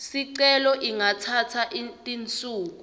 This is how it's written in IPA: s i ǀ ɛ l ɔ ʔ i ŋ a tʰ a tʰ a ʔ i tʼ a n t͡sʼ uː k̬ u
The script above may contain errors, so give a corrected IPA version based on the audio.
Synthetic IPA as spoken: s i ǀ ɛ l ɔ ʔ i ŋ a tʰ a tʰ a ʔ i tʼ i n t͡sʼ uː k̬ u

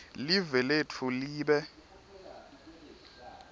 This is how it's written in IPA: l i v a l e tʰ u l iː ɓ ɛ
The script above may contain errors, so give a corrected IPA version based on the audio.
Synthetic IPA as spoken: l i v ɛ l e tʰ u l iː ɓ ɛ

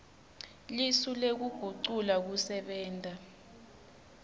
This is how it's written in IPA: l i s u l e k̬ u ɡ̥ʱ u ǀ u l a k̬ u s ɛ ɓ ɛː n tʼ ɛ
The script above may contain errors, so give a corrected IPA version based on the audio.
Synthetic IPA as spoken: l i s u l e k̬ u ɡ̥ʱ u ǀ u l a k̬ u s ɛ ɓ ɛː n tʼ a

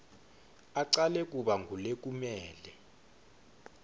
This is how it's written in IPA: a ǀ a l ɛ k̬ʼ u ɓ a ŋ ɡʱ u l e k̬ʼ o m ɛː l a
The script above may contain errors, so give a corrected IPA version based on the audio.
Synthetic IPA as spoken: a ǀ a l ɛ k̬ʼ u ɓ a ŋ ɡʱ u l e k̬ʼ u m ɛː l ɛ

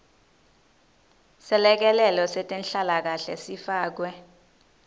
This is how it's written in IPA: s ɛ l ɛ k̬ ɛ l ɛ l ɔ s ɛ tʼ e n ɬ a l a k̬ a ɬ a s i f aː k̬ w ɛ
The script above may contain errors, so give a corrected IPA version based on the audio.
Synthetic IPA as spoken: s ɛ l ɛ k̬ ɛ l ɛ l ɔ s ɛ tʼ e n ɬ a l a k̬ a ɬ ɛ s i f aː k̬ w ɛ

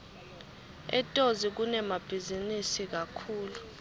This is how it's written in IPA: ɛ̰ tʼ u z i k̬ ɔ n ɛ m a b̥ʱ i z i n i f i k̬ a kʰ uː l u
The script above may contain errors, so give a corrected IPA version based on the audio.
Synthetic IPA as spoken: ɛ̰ tʼ o z i k̬ u n ɛ m a b̥ʱ i z i n i s i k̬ a kʰ uː l u

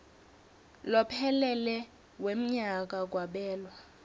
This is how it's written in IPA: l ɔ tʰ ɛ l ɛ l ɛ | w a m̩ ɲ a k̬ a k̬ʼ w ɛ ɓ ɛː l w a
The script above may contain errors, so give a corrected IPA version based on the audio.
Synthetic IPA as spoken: l ɔ pʰ ɛ l ɛ l ɛ | w e m̩ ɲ a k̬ a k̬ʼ w a ɓ ɛː l w a

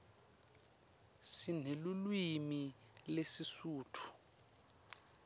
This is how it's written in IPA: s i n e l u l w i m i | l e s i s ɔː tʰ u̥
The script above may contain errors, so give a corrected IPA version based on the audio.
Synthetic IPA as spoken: s i n e l u l w i m i | l e s i s uː tʰ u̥

